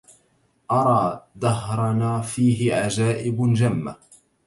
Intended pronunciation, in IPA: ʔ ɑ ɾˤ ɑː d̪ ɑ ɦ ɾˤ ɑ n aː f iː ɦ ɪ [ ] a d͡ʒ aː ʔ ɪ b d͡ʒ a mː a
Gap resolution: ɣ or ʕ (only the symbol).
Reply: ʕ